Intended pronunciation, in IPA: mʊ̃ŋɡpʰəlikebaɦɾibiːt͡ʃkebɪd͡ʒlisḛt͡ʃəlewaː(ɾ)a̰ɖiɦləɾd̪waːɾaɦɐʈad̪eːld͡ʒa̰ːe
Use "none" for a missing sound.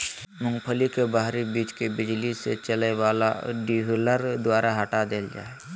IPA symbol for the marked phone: l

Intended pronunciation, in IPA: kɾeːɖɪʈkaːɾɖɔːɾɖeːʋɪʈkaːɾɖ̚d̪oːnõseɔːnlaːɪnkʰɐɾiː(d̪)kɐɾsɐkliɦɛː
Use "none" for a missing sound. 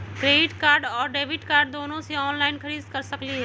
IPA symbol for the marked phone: d̪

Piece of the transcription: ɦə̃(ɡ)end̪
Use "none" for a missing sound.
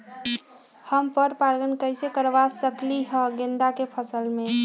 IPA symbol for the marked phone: ɡ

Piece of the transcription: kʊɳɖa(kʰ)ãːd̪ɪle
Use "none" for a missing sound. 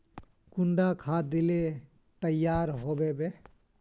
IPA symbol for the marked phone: kʰ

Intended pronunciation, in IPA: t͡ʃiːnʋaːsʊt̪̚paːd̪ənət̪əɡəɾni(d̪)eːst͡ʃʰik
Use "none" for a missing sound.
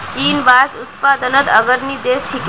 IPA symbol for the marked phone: d̪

